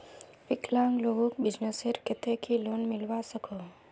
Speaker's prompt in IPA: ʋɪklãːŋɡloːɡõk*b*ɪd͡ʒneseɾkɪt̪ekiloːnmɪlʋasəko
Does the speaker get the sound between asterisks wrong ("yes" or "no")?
no